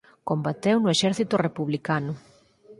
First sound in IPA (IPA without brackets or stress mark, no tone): k